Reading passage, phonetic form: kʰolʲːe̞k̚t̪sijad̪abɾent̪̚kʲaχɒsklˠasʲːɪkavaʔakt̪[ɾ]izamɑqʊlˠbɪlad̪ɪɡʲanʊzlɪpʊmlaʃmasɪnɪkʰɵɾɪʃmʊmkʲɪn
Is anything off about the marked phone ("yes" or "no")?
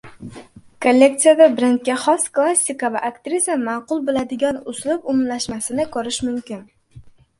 no